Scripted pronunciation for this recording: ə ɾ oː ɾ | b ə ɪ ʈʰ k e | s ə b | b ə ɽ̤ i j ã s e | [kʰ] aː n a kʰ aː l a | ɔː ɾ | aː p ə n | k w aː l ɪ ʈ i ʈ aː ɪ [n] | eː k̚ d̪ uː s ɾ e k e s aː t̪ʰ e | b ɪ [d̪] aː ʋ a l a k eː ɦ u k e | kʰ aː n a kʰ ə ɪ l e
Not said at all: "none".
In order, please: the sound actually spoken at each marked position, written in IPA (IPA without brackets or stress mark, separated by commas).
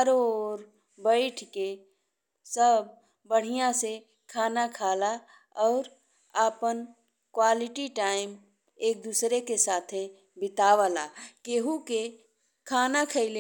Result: kʰ, m, t̪